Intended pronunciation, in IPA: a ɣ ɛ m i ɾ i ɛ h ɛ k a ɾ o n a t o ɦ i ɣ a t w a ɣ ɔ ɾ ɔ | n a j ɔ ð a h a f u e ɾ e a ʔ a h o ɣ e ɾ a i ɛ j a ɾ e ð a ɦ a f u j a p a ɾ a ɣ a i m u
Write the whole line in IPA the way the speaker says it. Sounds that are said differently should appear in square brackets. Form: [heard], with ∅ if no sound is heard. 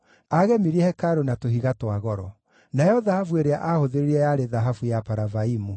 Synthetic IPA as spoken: a ɣ ɛ m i ɾ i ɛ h ɛ k a ɾ o n a t o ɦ i ɣ a t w a ɣ ɔ ɾ ɔ | n a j ɔ ð a h a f u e ɾ e a ʔ a h o [ð] e ɾ [e] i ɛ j a ɾ e ð a ɦ a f u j a p a ɾ a [v] a i m u

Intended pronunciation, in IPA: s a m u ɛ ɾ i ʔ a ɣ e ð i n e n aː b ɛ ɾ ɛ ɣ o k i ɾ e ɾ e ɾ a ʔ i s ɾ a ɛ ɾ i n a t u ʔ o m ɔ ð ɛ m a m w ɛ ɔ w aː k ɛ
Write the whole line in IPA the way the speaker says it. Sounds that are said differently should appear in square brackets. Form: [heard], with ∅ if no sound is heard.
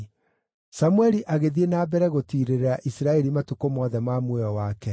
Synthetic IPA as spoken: s a m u ɛ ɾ i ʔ a ɣ e ð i [∅] e n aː b ɛ ɾ ɛ ɣ o [t] i ɾ e ɾ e ɾ a ʔ i s ɾ a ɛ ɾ i [m] a t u [k] o m ɔ ð ɛ m a m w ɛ ɔ w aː k ɛ

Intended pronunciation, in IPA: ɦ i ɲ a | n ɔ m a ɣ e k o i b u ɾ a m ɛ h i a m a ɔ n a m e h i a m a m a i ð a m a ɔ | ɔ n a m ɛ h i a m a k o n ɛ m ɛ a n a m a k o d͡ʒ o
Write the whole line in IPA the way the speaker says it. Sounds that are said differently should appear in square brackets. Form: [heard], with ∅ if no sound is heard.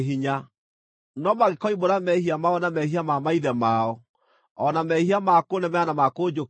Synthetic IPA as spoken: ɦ i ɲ a | n ɔ m a ɣ e k [ɔ] i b [o] ɾ a m ɛ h i a m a ɔ n a m [ɛ] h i a m a m a i ð [ɛ] m a ɔ | ɔ n a m ɛ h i a m a k o n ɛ m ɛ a n a m a k o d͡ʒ o

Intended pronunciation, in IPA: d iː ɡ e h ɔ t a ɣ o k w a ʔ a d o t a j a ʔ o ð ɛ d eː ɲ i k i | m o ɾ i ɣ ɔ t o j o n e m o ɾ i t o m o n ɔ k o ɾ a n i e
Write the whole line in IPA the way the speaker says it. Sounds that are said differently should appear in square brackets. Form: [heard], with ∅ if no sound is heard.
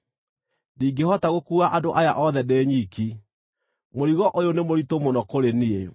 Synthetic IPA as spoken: d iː ɡ e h ɔ t a ɣ o k [u] a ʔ a d o [ʔ] a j a ʔ [ɔ] ð ɛ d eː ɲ i k i | m o ɾ i ɣ ɔ [ʔ] o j o n e m o ɾ i t o m o n ɔ k o ɾ [e] n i e

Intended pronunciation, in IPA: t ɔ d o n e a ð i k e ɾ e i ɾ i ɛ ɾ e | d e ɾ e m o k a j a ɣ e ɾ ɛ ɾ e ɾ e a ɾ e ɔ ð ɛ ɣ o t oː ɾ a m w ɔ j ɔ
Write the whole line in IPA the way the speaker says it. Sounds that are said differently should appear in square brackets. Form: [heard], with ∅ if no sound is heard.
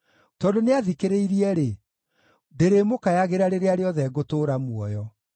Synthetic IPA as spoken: t ɔ d o n e a ð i k e ɾ e i ɾ i ɛ ɾ e | d e ɾ e m o k a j a ɣ e ɾ [a] ɾ e ɾ e a ɾ e ɔ ð ɛ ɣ o t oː ɾ a m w ɔ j ɔ

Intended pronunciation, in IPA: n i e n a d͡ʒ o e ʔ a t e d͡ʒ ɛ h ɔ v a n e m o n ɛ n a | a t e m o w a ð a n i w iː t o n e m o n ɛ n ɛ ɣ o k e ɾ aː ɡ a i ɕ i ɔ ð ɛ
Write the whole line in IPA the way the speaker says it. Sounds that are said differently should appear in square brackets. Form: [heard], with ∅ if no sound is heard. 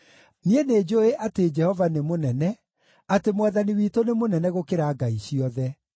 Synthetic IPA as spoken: n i e n [e] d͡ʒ o e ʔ a t e d͡ʒ ɛ h ɔ v a n e m o n ɛ n [ɛ] | a t e m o w a ð a n i w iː t o n e m o n ɛ n ɛ ɣ o k e ɾ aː ɡ a i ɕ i ɔ ð ɛ

